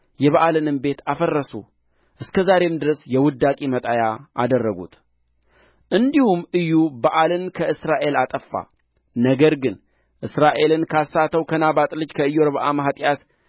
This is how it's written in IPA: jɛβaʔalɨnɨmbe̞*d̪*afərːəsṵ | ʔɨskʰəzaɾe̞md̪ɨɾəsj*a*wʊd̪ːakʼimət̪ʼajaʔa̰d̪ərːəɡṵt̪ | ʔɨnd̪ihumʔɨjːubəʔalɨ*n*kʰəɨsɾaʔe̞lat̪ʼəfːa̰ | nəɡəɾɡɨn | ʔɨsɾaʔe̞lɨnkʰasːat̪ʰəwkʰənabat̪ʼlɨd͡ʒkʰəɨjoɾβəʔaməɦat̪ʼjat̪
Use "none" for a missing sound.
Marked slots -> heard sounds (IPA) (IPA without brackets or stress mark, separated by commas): t̪, ɛ, n